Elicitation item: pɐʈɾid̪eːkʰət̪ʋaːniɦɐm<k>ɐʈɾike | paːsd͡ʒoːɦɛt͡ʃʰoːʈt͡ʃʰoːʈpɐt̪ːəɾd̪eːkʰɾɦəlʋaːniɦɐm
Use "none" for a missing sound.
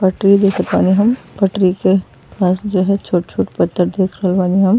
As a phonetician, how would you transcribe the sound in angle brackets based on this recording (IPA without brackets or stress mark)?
p